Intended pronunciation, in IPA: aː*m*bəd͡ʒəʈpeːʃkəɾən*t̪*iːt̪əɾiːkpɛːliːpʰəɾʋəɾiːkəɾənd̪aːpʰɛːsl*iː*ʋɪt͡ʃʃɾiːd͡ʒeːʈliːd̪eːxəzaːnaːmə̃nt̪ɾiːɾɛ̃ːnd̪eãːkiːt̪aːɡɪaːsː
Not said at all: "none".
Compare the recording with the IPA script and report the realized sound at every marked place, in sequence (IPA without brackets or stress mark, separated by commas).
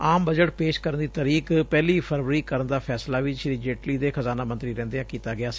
m, d̪, aː